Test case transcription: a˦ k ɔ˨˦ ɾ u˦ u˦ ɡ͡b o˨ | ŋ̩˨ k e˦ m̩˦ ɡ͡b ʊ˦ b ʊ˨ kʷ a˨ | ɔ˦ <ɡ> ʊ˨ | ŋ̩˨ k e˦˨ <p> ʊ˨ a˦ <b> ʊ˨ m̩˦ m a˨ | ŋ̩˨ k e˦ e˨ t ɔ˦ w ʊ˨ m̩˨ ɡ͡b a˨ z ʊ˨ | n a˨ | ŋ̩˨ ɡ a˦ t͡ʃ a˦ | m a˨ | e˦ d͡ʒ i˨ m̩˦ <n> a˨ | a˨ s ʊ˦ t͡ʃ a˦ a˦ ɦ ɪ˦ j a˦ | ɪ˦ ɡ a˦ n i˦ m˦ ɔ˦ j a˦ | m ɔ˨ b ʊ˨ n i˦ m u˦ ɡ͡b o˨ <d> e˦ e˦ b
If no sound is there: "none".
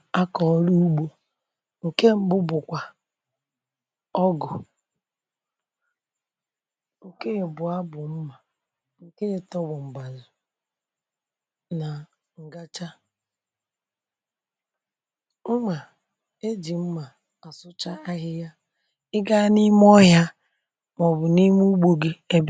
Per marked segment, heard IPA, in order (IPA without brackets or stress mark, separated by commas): ɡ, b, b, m, ɡ